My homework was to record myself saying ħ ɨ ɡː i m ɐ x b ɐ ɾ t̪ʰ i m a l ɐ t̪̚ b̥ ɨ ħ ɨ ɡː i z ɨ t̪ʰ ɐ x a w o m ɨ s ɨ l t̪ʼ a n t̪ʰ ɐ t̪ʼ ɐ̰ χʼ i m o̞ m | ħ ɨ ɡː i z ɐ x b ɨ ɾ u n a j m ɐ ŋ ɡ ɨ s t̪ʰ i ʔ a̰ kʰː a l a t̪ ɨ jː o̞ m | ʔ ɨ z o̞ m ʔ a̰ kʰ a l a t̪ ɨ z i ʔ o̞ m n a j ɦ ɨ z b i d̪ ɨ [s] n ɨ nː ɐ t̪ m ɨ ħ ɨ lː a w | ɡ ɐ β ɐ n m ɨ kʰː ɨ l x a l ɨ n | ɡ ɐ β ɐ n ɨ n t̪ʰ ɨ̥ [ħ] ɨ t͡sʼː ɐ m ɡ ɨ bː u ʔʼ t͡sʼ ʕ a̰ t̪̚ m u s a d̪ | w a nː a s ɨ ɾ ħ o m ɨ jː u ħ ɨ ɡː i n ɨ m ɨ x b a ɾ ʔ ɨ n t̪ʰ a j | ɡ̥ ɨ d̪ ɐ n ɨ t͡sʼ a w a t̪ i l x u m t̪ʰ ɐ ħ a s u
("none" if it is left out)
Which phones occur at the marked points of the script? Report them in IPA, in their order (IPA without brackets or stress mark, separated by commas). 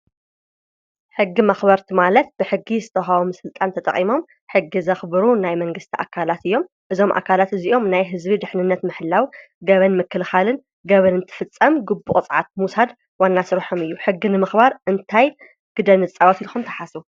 ħ, f